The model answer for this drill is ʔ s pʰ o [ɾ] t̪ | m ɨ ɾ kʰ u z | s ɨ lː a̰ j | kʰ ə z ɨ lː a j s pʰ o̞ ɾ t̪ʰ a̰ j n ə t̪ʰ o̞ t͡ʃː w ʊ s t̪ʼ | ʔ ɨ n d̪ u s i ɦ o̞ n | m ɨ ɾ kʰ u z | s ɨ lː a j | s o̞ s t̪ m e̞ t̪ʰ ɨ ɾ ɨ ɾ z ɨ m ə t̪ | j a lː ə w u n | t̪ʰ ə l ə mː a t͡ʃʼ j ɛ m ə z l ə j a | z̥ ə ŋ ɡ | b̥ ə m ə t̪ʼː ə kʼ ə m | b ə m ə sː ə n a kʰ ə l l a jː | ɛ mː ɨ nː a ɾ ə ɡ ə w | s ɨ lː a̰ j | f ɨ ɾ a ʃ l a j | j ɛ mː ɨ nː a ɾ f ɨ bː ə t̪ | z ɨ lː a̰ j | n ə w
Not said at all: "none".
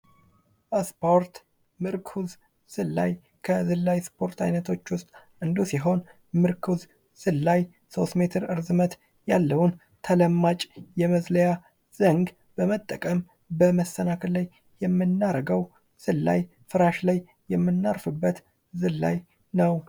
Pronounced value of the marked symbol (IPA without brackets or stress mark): ɾ